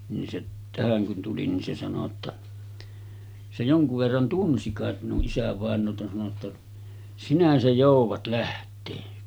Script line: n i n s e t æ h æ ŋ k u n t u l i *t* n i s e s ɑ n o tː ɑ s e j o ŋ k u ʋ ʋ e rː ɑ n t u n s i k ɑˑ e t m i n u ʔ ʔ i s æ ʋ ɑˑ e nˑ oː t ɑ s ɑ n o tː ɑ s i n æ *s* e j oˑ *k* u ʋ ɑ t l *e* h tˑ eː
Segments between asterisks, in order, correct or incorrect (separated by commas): incorrect, correct, incorrect, incorrect